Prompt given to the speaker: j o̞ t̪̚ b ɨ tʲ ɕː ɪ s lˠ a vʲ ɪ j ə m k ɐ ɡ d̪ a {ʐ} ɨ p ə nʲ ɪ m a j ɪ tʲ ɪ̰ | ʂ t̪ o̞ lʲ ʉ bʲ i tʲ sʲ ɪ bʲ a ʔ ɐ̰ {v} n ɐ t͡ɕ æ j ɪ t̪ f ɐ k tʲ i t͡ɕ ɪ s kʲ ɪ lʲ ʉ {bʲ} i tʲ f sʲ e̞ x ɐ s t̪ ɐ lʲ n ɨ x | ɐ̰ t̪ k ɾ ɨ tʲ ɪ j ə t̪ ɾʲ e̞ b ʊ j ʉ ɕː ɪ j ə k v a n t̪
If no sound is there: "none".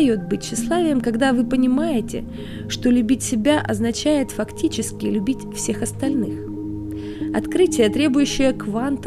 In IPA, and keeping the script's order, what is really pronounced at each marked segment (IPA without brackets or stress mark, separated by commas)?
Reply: v, z, bʲ